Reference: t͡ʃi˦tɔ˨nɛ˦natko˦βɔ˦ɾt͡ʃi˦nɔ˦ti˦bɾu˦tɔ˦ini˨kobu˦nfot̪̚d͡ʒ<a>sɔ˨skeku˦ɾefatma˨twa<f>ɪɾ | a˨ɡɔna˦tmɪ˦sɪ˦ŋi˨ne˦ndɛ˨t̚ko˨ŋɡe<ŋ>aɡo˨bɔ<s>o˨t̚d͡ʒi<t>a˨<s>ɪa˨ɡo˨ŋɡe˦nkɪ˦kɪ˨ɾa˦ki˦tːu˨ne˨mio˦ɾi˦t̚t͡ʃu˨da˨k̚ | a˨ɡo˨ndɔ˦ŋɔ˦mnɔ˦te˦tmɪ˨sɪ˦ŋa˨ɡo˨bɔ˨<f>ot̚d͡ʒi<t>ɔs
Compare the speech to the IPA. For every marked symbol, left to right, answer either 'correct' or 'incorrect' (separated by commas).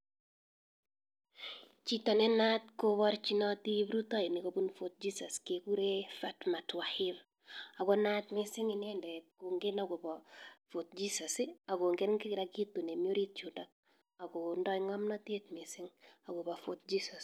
incorrect, incorrect, incorrect, incorrect, incorrect, correct, correct, incorrect